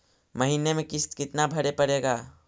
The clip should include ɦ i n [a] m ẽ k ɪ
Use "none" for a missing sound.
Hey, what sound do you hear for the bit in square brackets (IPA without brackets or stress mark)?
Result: e